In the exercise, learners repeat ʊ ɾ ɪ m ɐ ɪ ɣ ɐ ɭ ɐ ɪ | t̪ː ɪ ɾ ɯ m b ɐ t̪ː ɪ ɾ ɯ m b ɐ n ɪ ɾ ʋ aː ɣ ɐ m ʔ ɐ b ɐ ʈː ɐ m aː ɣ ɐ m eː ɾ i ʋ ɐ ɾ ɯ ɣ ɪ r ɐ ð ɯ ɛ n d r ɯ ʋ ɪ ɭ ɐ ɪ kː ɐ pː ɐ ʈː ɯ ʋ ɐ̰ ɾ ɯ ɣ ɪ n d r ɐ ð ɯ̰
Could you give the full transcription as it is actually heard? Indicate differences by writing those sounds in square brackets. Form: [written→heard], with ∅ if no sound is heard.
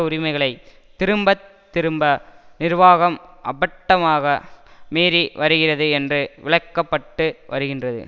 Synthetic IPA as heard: ʊ ɾ ɪ m ɐ ɪ ɣ ɐ ɭ ɐ ɪ | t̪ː ɪ ɾ ɯ m b ɐ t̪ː ɪ ɾ ɯ m b ɐ n ɪ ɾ ʋ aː ɣ ɐ m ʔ ɐ b ɐ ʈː ɐ m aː ɣ ɐ m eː ɾ i ʋ ɐ ɾ ɯ ɣ ɪ r ɐ ð ɯ ɛ n d r ɯ ʋ ɪ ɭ ɐ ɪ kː ɐ pː ɐ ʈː ɯ ʋ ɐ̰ ɾ ɯ ɣ ɪ n d r ɐ ð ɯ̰